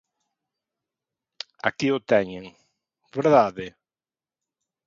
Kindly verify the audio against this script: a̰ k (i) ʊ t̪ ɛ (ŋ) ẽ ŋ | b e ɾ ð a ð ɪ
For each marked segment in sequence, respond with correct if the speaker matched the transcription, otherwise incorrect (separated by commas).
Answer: correct, incorrect